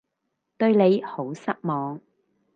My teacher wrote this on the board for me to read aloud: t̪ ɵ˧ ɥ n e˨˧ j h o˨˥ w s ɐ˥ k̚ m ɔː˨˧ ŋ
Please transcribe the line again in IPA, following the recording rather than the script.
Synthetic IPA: t̪ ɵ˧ ɥ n e˨˧ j h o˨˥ w s ɐ˥ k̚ m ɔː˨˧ ŋ

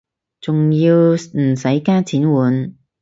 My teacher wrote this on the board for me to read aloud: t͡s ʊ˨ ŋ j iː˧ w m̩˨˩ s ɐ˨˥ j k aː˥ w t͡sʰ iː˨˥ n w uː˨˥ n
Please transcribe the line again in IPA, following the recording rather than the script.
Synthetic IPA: t͡s ʊ˨ ŋ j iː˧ w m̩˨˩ s ɐ˨˥ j k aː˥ t͡sʰ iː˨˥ n w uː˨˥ n

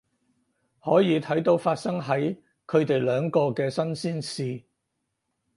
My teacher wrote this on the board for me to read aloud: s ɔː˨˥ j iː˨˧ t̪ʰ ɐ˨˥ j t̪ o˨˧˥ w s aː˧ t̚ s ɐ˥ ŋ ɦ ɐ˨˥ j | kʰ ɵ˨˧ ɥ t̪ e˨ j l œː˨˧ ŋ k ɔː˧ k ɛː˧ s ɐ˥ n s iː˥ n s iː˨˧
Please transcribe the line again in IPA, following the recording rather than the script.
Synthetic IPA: h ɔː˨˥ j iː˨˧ t̪ʰ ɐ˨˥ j t̪ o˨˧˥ w f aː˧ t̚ s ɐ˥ ŋ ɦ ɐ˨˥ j | kʰ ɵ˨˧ ɥ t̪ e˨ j l œː˨˧ ŋ k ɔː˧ k ɛː˧ s ɐ˥ n s iː˥ n s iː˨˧

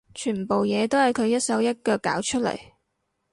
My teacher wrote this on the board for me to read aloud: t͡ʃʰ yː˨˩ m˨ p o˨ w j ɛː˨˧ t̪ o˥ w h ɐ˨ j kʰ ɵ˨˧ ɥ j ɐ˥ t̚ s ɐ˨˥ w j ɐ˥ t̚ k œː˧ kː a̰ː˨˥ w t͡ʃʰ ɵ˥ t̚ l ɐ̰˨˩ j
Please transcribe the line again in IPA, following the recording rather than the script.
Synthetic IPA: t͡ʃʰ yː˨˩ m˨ p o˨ w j ɛː˨˧ t̪ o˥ w h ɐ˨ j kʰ ɵ˨˧ ɥ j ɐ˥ t̚ s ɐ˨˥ w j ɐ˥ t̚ k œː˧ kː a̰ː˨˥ w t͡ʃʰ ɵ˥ t̚ l ɐ̰˨˩ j

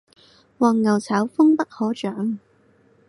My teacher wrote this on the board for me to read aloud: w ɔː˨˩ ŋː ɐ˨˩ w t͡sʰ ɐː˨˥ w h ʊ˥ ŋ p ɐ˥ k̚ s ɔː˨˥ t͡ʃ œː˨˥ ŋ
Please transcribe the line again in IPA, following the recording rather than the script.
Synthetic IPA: w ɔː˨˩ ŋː ɐ˨˩ w t͡sʰ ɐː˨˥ w f ʊ˥ ŋ p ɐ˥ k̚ h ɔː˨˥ t͡ʃ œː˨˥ ŋ

